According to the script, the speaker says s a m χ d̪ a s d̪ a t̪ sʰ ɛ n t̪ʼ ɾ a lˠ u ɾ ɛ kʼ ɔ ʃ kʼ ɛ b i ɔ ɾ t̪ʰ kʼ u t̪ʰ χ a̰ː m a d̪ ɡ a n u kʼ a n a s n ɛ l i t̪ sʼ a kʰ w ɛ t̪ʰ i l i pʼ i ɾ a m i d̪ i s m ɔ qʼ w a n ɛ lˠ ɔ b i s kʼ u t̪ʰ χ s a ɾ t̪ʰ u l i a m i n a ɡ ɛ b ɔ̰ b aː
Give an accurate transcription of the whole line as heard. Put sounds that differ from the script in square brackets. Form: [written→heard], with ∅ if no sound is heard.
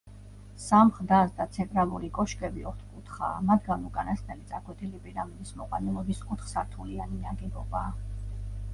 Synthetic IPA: s a m χ d̪ a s d̪ a t̪ sʰ ɛ n t̪ʼ ɾ a lˠ u ɾ [ɛ→i] kʼ ɔ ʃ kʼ ɛ b i ɔ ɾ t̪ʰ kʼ u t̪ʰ χ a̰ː m a d̪ ɡ a n u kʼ a n a s n ɛ l i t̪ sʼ a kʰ w ɛ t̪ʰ i l i pʼ i ɾ a m i d̪ i s m ɔ qʼ w a n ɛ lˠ ɔ b i s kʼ u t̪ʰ χ s a ɾ t̪ʰ u l i a [m→n] i n a ɡ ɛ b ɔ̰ b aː